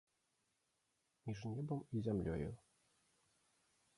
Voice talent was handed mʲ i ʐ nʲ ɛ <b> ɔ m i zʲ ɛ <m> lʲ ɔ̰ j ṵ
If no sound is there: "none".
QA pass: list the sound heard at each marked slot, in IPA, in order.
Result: b, m

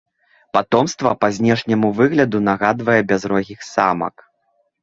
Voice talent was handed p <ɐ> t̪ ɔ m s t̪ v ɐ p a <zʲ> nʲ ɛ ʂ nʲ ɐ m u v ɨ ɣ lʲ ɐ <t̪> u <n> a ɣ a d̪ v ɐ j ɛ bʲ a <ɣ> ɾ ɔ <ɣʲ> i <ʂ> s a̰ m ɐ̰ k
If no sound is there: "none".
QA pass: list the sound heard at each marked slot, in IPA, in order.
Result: a, zʲ, d̪, n, z, ɣʲ, x

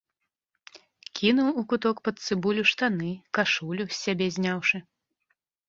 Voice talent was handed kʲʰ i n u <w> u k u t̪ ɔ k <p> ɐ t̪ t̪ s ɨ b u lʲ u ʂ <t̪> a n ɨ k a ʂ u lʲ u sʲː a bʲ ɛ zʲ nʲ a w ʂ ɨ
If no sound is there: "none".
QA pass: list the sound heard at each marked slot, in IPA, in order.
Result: w, p, t̪

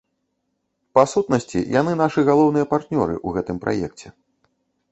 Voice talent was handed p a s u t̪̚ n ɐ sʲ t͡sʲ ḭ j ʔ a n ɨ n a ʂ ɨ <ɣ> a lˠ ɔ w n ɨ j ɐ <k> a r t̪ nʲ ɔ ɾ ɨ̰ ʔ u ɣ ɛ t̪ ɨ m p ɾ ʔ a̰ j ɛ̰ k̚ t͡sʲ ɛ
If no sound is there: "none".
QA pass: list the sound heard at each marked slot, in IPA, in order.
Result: ɣ, p

